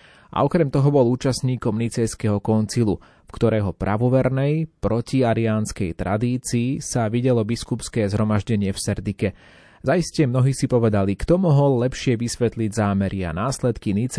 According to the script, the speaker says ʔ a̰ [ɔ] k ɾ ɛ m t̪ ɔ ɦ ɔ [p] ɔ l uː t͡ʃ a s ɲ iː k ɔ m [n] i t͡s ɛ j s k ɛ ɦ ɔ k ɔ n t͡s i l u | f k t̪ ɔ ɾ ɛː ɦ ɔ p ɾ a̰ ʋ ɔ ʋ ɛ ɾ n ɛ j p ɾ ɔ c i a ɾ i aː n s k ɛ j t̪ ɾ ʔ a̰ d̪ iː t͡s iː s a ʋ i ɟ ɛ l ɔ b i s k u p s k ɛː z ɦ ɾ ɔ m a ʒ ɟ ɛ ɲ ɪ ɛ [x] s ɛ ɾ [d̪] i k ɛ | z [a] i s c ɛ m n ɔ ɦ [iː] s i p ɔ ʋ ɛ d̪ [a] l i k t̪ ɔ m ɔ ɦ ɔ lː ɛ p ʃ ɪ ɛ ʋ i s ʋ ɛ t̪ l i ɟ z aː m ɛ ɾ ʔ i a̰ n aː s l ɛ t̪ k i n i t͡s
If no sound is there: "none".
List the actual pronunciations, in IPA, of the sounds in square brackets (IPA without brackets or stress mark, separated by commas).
ɔ, b, n, f, d̪, a, iː, a